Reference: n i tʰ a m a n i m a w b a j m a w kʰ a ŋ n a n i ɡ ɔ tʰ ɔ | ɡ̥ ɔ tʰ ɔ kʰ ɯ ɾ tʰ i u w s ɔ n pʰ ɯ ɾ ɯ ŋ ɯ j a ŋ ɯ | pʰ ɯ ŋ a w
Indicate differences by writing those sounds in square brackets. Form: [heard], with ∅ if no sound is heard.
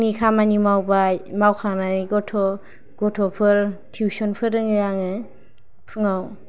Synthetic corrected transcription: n i [kʰ] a m a n i m a w b a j m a w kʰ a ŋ n a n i ɡ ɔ tʰ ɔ | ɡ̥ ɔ tʰ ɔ [pʰ] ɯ ɾ tʰ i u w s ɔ n pʰ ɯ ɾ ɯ ŋ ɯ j a ŋ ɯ | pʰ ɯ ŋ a w